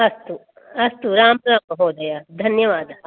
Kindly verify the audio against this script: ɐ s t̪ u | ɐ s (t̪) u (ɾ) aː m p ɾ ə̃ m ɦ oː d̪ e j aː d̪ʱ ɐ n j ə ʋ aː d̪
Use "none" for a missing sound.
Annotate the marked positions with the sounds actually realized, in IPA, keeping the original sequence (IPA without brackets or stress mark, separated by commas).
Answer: t̪, ɾ